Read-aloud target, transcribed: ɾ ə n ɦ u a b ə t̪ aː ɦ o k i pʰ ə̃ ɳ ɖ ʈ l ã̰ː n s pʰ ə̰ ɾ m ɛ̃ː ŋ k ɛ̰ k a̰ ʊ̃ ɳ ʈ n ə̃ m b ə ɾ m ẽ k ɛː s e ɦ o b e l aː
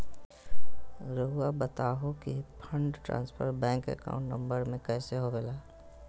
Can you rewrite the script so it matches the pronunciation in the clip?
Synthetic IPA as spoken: ɾ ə ɦ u a b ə t̪ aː ɦ o k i pʰ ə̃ ɳ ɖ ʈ ɾ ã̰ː n s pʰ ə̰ ɾ b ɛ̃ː ŋ k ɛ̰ k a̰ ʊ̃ ɳ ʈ n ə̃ m b ə ɾ m ẽ k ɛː s e ɦ o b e l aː